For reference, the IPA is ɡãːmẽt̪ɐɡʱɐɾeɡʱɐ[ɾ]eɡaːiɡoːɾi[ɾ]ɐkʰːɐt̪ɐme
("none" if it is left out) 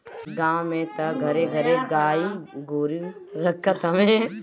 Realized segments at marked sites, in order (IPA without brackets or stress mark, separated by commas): ɾ, ɾ